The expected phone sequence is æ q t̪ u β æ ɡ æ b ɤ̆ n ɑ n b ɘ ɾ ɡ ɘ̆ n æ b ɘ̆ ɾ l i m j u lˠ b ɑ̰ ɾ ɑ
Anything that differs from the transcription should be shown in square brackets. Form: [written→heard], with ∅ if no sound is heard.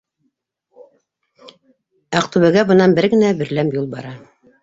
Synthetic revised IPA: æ q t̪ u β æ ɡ æ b ɤ̆ n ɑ n b ɘ ɾ ɡ ɘ̆ n æ b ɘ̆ ɾ l [i→æ] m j u lˠ b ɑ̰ ɾ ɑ